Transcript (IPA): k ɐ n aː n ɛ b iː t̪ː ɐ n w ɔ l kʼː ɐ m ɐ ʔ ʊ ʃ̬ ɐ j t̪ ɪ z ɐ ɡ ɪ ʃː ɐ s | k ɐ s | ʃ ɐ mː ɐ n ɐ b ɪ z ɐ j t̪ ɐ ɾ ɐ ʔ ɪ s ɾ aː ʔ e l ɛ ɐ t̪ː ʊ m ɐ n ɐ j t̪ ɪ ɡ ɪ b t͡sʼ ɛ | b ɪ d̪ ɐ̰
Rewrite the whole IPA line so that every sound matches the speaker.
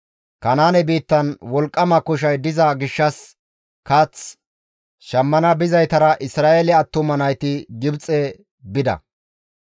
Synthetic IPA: k ɐ n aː n ɛ b iː t̪ː ɐ n w ɔ l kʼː ɐ m ɐ k ʊ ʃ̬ ɐ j d̪ ɪ z ɐ ɡ ɪ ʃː ɐ s | k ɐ t͡s | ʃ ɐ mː ɐ n ɐ b ɪ z ɐ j t̪ ɐ ɾ ɐ ʔ ɪ s ɾ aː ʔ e l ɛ ɐ t̪ː ʊ m ɐ n ɐ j t̪ ɪ ɡ ɪ b t͡sʼ ɛ | b ɪ d̪ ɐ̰